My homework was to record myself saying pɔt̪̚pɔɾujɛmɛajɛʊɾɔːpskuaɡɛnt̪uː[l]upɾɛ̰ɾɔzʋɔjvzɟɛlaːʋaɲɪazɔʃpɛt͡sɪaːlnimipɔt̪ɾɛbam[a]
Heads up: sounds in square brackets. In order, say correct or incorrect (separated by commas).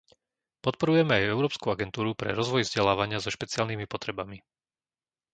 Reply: incorrect, incorrect